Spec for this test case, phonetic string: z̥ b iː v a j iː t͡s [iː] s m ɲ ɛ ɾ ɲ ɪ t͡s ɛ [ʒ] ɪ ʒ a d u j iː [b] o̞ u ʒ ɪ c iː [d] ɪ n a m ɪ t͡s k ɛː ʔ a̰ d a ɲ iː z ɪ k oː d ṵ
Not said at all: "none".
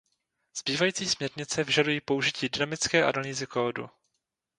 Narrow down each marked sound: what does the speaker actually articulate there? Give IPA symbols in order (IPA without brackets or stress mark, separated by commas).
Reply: iː, v, p, d